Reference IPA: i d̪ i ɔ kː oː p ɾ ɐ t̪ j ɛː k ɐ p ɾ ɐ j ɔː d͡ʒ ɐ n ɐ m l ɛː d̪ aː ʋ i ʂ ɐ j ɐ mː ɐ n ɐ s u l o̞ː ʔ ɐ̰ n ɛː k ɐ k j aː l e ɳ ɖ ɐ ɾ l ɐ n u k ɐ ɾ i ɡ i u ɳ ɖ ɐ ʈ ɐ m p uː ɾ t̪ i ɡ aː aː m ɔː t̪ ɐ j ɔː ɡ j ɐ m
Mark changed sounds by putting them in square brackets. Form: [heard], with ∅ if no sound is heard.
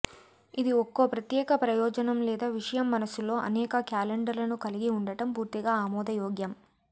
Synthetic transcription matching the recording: i d̪ i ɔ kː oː p ɾ ɐ t̪ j ɛː k ɐ p ɾ ɐ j ɔː d͡ʒ ɐ n ɐ m l ɛː d̪ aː ʋ i ʂ ɐ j ɐ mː ɐ n ɐ s u l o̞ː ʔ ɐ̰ n ɛː k ɐ k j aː l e ɳ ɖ ɐ ɾ l ɐ n u k ɐ [l] i ɡ i u ɳ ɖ ɐ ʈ ɐ m p uː ɾ t̪ i ɡ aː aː m ɔː [d̪] ɐ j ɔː ɡ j ɐ m